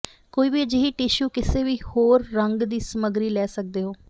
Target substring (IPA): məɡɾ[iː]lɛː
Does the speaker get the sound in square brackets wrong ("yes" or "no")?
no